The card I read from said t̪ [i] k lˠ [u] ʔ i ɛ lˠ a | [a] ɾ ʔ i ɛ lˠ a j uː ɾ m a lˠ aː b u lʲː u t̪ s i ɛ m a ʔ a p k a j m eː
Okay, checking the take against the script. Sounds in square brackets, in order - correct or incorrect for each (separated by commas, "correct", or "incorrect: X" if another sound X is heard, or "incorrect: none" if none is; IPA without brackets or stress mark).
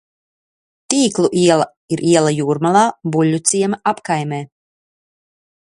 incorrect: iː, correct, incorrect: i